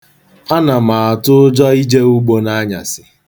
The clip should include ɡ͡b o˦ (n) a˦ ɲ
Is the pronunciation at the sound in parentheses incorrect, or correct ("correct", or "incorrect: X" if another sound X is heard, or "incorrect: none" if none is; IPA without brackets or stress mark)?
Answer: correct